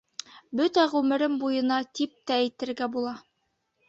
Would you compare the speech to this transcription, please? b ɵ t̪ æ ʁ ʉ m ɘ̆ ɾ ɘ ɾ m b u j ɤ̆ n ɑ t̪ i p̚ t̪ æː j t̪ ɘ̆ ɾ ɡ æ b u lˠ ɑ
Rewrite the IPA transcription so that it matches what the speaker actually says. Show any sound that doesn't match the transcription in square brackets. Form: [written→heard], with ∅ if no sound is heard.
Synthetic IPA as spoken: b ɵ t̪ æ ʁ ʉ m ɘ̆ ɾ ɘ [ɾ→∅] m b u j ɤ̆ n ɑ t̪ i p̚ t̪ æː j t̪ ɘ̆ ɾ ɡ æ b u lˠ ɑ